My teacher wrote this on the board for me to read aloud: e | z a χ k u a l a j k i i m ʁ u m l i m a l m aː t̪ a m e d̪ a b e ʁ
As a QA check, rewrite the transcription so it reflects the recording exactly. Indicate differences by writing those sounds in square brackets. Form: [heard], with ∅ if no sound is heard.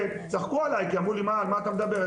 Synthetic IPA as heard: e | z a χ k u a l a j k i [a] m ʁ u [∅] l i m a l m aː t̪ a m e d̪ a b e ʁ